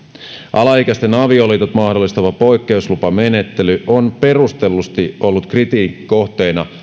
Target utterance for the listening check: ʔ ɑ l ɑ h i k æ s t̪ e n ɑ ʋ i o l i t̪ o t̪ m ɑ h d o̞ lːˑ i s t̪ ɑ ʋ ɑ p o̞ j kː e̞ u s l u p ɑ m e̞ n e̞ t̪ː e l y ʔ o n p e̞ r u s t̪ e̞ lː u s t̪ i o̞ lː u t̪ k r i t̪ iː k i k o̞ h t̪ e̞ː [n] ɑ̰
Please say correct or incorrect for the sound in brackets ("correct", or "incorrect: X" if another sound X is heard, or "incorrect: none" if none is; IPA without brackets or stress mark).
correct